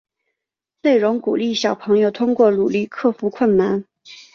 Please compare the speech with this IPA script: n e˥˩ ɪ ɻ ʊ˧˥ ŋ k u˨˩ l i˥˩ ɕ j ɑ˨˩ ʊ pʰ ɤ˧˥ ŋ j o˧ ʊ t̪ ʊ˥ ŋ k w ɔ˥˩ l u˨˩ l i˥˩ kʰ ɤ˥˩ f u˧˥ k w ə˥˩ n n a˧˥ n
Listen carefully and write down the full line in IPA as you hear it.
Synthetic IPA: n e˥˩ ɪ ɻ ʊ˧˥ ŋ k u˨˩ l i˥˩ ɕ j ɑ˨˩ ʊ pʰ ɤ˧˥ ŋ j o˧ ʊ t̪ʰ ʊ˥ ŋ k w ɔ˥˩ l u˨˩ l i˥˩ kʰ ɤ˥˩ f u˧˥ kʰ w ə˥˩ n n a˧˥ n